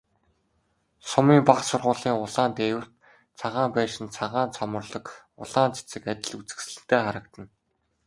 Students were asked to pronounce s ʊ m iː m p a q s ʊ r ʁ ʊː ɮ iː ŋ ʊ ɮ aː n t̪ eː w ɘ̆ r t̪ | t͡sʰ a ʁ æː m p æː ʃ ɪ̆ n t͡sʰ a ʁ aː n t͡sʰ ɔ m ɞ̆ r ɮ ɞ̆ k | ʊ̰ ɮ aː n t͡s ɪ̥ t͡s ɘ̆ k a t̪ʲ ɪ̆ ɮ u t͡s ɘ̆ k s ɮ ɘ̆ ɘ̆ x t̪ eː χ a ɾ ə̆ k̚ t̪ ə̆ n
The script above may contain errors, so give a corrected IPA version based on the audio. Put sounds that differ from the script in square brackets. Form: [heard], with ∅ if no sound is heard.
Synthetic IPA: s ʊ m iː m p a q s ʊ r ʁ ʊː ɮ iː ŋ ʊ ɮ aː n t̪ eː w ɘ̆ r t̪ | t͡sʰ a ʁ [aː] m p æː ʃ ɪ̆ n t͡sʰ a ʁ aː n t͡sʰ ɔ m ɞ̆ r ɮ ɞ̆ k | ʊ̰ ɮ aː n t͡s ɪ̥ t͡s ɘ̆ k a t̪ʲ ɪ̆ ɮ u t͡s ɘ̆ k s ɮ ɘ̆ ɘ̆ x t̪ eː χ a ɾ ə̆ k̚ t̪ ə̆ n